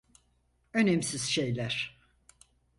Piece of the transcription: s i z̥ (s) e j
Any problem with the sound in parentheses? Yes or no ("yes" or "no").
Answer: yes